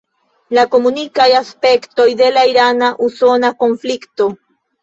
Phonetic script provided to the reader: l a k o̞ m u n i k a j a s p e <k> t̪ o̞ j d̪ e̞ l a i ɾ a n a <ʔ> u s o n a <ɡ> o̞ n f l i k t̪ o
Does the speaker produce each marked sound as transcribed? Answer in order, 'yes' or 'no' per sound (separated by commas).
yes, yes, no